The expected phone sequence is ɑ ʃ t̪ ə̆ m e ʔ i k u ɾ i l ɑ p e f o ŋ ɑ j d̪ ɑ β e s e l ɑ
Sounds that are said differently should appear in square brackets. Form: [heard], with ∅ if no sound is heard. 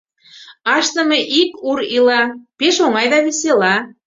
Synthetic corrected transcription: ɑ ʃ t̪ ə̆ m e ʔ i k u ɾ i l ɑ p e [ʃ] o ŋ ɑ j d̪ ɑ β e s e l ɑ